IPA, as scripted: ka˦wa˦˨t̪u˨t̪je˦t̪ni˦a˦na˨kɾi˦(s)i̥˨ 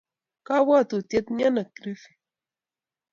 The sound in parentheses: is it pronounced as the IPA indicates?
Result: no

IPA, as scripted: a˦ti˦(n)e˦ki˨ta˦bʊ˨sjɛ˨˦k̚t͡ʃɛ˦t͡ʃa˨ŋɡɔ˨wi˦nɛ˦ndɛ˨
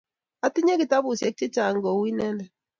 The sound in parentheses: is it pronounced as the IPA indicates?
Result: no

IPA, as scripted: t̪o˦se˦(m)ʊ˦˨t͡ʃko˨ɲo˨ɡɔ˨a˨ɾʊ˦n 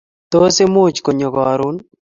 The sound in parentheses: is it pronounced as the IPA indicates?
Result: yes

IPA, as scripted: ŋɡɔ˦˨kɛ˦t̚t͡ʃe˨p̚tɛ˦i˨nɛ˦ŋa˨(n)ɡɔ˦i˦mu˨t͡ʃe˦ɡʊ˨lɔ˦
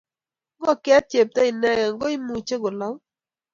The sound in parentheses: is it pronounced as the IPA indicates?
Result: no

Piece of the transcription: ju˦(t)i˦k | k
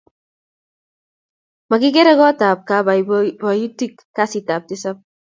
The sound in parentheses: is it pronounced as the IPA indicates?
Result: yes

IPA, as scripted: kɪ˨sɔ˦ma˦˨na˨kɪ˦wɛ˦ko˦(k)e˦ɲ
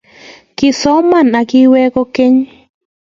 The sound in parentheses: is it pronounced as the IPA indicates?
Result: yes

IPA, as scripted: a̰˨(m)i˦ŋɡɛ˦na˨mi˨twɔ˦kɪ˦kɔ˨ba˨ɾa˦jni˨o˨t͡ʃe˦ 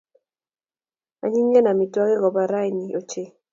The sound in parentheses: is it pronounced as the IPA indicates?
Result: no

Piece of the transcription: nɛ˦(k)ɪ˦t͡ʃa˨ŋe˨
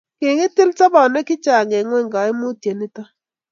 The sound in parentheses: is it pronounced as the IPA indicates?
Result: yes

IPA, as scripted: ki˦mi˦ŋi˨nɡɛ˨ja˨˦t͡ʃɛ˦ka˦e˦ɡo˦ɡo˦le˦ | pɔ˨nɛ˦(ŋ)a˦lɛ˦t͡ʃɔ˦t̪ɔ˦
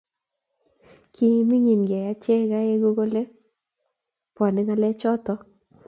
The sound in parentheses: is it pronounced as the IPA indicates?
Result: yes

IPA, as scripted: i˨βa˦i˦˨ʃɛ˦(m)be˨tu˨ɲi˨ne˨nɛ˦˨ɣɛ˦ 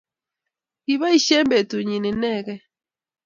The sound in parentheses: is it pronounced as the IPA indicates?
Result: yes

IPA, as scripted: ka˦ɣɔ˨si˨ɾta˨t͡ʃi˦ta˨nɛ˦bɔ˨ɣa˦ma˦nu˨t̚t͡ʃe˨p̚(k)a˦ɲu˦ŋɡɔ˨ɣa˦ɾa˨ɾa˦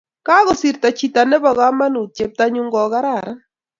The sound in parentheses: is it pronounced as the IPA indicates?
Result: no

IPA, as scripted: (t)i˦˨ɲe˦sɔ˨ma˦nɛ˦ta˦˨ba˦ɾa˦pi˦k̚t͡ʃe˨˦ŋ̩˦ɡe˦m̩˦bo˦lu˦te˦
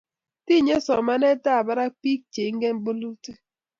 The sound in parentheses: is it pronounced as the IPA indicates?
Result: yes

